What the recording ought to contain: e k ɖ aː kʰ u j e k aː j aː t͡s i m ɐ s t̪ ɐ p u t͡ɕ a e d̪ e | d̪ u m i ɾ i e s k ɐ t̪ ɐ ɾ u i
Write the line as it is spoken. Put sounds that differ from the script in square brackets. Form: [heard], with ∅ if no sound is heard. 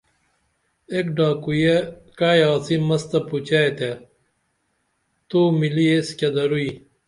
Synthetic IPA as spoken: e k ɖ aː [k] u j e k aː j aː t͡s i m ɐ s t̪ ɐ p u t͡ɕ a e [t̪] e | [t̪] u m i [l] i e s k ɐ [d̪] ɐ ɾ u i